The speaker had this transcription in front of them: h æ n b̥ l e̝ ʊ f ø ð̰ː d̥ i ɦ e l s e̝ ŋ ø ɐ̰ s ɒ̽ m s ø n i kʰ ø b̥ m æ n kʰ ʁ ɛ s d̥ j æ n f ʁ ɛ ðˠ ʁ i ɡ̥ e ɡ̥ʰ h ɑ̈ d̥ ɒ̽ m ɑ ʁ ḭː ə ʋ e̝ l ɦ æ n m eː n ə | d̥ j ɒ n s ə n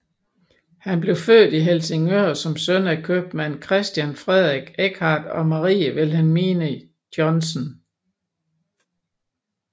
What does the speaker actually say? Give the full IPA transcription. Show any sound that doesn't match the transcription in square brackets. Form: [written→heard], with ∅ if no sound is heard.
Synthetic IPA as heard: h æ n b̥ l e̝ ʊ f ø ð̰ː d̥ i ɦ e l s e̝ ŋ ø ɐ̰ s ɒ̽ m s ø n [i→æ] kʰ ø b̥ m æ n kʰ ʁ ɛ s d̥ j æ n f ʁ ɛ ðˠ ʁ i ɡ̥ e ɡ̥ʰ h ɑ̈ d̥ ɒ̽ m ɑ ʁ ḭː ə ʋ e̝ l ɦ æ n m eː n ə | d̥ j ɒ n s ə n

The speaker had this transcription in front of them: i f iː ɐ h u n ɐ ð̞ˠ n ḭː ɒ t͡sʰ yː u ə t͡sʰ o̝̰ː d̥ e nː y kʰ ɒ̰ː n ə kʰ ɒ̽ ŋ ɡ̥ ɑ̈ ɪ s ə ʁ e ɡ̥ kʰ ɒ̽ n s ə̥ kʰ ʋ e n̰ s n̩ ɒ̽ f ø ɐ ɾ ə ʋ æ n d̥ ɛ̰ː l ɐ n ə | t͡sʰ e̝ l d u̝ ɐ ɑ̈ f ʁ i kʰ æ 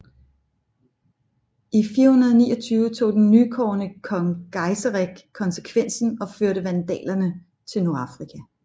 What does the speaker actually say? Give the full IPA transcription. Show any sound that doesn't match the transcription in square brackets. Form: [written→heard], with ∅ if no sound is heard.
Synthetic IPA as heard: i f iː ɐ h u n ɐ ð̞ˠ n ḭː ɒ t͡sʰ yː [u→ʊ] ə t͡sʰ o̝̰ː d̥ e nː y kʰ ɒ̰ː n ə kʰ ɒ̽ ŋ ɡ̥ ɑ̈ ɪ s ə ʁ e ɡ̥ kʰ ɒ̽ n s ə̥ kʰ ʋ e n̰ s n̩ ɒ̽ f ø ɐ ɾ ə ʋ æ n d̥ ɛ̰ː l ɐ n ə | t͡sʰ e̝ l [d→n] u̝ ɐ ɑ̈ f ʁ i kʰ æ

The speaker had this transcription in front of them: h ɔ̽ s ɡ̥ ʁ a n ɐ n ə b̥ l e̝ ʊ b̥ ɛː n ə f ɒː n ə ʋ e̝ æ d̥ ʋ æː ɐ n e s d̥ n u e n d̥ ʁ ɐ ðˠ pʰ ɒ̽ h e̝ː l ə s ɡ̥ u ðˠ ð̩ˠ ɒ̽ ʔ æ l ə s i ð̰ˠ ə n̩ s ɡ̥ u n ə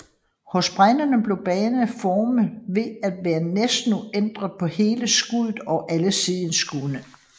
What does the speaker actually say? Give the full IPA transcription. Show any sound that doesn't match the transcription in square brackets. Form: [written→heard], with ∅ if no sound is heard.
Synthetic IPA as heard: h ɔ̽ s [ɡ̥→b̥] ʁ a n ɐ n ə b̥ l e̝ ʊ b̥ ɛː n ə f ɒː [n→m] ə ʋ e̝ æ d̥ ʋ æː ɐ n e s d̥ n u e n d̥ ʁ ɐ ðˠ pʰ ɒ̽ h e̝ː l ə s ɡ̥ u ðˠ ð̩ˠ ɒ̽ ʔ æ l ə s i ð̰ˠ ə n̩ s ɡ̥ u n ə

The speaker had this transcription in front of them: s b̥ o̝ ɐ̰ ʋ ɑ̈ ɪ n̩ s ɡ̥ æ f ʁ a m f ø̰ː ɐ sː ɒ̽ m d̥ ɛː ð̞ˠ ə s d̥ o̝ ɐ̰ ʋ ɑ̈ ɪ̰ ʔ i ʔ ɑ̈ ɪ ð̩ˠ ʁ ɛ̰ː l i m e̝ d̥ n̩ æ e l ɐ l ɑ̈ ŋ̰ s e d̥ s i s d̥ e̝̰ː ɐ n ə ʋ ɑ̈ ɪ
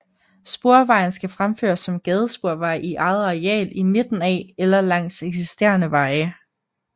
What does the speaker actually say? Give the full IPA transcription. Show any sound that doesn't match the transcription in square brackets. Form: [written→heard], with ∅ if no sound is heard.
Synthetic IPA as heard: s b̥ o̝ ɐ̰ ʋ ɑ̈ ɪ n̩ s ɡ̥ æ f ʁ a m f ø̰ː ɐ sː ɒ̽ m [d̥→ɡ̥] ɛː ð̞ˠ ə s [d̥→b̥] o̝ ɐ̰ ʋ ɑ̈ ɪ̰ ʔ i ʔ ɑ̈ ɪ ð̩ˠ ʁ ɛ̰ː l i m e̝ d̥ n̩ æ e l ɐ l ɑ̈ ŋ̰ s e [d̥→ɡ̥] s i s d̥ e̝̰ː ɐ n ə ʋ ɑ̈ ɪ

